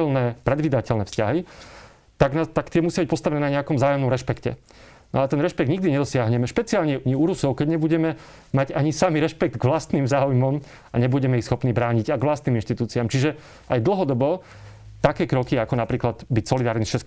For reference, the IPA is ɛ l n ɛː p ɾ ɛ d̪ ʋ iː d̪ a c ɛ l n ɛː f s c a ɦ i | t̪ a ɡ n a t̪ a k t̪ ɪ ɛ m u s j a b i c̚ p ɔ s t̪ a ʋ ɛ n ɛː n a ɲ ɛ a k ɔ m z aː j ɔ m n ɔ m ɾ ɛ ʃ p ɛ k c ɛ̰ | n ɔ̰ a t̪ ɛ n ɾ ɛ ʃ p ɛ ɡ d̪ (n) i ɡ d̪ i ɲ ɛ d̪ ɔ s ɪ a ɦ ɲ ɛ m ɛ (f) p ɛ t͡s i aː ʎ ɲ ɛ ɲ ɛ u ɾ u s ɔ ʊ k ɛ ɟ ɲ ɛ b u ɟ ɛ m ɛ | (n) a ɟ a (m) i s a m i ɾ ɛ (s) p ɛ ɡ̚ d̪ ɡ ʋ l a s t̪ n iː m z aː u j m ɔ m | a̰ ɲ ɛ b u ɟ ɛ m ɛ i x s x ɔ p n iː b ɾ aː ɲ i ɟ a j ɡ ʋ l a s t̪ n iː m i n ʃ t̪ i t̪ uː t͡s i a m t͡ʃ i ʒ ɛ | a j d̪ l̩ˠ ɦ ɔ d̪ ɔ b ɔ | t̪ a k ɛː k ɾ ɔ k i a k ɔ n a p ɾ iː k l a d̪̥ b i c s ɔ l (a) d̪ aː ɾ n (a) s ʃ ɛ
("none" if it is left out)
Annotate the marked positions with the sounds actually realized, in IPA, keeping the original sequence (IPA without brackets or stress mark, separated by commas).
ɲ, ʃ, m, ɲ, ʃ, i, i